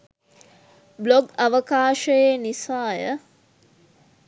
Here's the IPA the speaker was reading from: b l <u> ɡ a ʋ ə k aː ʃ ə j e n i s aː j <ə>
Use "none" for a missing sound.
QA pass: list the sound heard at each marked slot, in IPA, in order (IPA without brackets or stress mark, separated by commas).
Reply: o, ə